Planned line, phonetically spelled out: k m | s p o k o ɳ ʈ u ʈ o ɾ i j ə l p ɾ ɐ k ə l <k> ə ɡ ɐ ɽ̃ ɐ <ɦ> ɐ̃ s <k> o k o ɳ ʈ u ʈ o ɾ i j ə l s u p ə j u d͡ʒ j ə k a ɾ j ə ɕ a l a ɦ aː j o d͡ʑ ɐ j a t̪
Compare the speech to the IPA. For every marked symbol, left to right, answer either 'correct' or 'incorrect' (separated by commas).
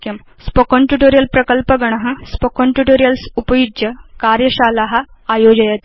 incorrect, correct, incorrect